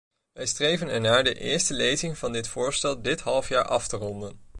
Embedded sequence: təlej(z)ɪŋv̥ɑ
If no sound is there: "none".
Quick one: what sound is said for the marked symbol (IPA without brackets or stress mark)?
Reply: z